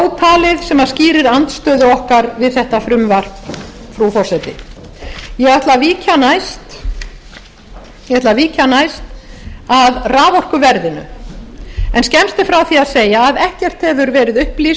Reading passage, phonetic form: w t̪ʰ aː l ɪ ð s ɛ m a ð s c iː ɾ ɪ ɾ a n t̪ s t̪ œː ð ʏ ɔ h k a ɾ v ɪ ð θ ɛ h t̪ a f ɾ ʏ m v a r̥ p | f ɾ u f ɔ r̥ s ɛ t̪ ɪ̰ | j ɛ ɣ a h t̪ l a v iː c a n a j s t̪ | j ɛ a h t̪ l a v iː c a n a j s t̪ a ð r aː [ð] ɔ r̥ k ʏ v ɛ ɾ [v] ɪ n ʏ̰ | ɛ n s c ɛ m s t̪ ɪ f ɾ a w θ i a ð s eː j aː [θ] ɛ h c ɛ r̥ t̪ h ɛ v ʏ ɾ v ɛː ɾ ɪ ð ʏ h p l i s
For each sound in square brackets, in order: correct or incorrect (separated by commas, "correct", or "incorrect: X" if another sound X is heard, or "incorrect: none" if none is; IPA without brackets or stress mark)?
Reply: incorrect: v, incorrect: ð, incorrect: ð